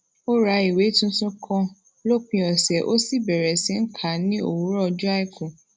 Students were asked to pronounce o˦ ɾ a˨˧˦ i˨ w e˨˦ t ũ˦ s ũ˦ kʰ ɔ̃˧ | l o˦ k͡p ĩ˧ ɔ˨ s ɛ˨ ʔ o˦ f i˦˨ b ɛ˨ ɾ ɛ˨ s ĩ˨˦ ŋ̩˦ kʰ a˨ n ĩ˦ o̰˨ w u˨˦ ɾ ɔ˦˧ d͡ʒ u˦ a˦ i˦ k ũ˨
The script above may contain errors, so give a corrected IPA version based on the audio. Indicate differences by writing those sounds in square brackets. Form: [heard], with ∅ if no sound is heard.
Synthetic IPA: o˦ ɾ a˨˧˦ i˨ w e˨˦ t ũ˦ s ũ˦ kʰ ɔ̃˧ | l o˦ k͡p ĩ˧ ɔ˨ s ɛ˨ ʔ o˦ [s] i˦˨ b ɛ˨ ɾ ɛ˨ s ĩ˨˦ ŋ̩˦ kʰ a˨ n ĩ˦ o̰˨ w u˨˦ ɾ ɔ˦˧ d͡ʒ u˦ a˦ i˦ k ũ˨